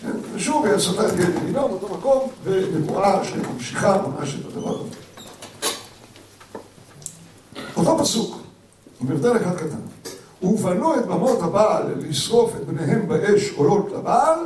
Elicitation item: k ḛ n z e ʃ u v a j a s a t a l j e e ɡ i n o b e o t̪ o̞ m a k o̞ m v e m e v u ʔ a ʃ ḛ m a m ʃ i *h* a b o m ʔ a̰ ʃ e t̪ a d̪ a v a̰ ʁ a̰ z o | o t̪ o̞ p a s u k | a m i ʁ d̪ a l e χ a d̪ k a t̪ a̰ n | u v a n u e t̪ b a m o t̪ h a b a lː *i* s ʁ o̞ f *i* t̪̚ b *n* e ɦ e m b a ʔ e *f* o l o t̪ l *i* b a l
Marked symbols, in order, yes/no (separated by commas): no, yes, no, yes, no, no